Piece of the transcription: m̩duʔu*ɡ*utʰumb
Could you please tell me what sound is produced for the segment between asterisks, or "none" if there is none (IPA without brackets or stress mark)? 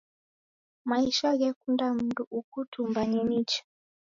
k